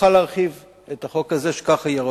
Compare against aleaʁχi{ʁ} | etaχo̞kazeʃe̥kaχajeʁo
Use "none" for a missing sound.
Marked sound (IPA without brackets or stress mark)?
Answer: v